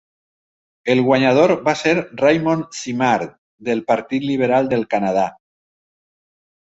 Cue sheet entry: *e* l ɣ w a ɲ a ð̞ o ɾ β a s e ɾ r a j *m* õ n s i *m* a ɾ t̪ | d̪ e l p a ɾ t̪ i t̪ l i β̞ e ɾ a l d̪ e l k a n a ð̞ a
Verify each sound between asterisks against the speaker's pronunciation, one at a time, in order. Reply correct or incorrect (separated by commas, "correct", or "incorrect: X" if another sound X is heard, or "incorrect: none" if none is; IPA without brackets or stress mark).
correct, correct, correct